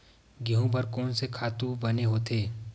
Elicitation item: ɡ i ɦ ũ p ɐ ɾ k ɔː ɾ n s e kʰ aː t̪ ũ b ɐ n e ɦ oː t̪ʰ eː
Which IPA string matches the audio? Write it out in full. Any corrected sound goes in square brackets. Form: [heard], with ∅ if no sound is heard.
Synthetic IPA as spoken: ɡ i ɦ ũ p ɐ ɾ k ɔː [∅] n s e kʰ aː t̪ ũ b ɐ n e ɦ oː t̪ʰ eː

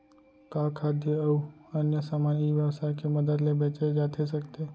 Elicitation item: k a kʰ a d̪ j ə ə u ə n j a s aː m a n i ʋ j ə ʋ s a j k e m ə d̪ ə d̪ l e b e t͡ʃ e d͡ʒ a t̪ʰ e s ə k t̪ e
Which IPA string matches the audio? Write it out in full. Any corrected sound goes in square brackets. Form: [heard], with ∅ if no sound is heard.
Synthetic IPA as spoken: k a kʰ a d̪ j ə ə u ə n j [ə] s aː m a n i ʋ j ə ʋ s a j k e m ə d̪ ə d̪ l e b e t͡ʃ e d͡ʒ a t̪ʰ e s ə k t̪ e

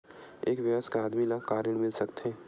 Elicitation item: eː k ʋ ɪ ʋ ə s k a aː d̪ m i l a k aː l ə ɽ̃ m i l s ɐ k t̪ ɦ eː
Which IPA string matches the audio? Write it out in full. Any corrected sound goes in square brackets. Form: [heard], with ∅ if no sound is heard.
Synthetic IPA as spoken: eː k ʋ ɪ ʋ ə s k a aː d̪ m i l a k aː [ɾ] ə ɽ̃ m [ɪ] l s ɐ k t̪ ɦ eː

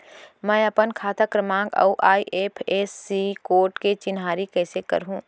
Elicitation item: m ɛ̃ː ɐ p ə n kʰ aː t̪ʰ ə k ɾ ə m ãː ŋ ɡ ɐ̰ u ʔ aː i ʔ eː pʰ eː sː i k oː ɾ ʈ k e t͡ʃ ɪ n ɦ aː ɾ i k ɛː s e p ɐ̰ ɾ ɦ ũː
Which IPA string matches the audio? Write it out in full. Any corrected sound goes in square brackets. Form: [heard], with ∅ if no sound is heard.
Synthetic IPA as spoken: m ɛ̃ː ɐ p ə n kʰ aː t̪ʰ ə k ɾ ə m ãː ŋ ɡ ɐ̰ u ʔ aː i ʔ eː pʰ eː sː i k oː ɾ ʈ k e t͡ʃ ɪ n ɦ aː ɾ i k ɛː s e [k] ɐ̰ ɾ ɦ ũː

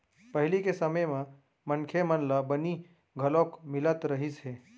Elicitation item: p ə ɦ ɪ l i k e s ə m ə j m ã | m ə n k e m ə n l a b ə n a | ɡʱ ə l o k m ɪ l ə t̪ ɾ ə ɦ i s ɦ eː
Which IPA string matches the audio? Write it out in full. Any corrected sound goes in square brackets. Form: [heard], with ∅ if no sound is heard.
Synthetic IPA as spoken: p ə ɦ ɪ l i k e s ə m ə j m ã | m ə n [kʰ] e m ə n l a b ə n [i] | ɡʱ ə l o k m ɪ l ə t̪ ɾ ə ɦ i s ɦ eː

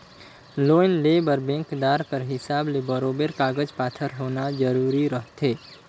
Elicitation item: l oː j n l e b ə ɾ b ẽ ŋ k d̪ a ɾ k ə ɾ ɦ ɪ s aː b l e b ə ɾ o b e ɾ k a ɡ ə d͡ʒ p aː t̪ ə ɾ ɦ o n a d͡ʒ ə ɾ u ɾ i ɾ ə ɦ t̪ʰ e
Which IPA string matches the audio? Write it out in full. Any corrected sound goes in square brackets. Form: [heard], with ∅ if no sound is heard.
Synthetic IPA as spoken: l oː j n l e b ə ɾ b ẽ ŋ k d̪ a ɾ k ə ɾ ɦ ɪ s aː b l e b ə ɾ o b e ɾ k a ɡ ə d͡ʒ p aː [t̪ʰ] ə ɾ ɦ o n a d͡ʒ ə ɾ u ɾ i ɾ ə ɦ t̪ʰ e

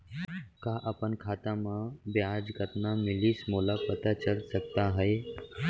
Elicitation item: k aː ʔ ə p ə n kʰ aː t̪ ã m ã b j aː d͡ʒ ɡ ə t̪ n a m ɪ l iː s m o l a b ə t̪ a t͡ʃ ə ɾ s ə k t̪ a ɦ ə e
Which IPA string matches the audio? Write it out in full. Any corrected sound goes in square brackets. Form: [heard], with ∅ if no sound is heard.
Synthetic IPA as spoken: k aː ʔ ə p ə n kʰ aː t̪ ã m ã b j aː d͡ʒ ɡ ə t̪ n a m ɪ l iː s m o l a [p] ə t̪ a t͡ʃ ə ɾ s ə k t̪ a ɦ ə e

